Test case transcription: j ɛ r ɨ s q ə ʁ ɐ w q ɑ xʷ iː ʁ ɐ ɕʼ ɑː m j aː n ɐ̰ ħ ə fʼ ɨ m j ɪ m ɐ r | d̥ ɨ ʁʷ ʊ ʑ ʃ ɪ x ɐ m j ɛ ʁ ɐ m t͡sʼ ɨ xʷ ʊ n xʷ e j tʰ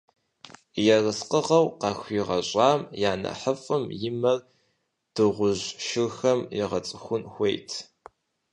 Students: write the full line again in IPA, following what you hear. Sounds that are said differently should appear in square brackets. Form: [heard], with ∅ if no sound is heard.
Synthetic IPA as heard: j ɛ r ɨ s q ə ʁ ɐ w q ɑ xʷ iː ʁ ɐ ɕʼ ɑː m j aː n ɐ̰ ħ ə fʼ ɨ m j ɪ m ɐ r | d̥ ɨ ʁʷ ʊ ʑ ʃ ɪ x ɐ m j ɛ ʁ ɐ [∅] t͡sʼ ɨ xʷ ʊ n xʷ e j tʰ